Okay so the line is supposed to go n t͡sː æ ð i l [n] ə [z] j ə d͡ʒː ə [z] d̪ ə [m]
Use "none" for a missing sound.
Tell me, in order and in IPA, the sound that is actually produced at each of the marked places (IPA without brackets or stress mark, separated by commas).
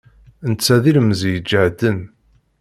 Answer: m, z, ʕ, n